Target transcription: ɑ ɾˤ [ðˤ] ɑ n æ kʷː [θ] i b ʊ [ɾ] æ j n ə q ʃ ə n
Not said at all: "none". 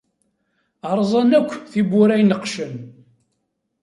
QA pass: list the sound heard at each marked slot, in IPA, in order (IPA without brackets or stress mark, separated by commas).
zˤ, θ, ɾ